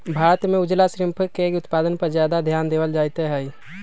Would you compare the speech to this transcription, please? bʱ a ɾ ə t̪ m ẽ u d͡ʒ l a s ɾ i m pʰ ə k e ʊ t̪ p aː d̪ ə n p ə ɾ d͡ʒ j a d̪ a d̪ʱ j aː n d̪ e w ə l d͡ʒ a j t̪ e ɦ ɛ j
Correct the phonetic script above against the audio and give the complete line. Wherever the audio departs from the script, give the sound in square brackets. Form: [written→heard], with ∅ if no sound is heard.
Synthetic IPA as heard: bʱ a ɾ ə t̪ m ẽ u d͡ʒ l a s ɾ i m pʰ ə k e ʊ t̪ p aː d̪ ə n p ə ɾ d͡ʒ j a d̪ a d̪ʱ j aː n d̪ e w ə l d͡ʒ a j t̪ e ɦ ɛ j